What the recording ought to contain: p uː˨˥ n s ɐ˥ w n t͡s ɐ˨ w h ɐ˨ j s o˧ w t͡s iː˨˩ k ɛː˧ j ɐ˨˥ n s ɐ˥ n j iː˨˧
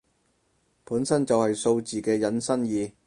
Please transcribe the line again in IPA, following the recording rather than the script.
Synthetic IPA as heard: p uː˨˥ n s ɐ˥ n t͡s ɐ˨ w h ɐ˨ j s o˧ w t͡s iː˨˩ k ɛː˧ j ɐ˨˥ n s ɐ˥ n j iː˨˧